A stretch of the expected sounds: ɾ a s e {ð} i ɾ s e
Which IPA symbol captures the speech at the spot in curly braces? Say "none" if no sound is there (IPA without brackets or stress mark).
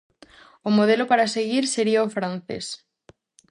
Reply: ɣ